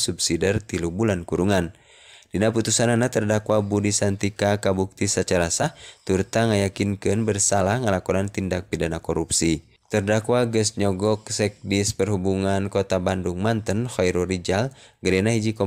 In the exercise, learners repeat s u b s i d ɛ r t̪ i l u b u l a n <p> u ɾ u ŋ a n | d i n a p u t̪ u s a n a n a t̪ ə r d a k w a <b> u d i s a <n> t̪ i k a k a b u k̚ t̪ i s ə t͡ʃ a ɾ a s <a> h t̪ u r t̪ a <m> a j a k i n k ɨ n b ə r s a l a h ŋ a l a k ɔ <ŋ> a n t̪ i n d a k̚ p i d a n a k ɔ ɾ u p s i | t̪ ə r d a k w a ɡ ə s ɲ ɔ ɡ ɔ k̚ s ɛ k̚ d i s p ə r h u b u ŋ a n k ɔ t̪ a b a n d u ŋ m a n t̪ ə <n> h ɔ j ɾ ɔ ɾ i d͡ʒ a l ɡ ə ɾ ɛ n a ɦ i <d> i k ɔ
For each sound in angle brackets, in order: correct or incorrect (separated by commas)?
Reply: incorrect, correct, correct, correct, incorrect, incorrect, correct, incorrect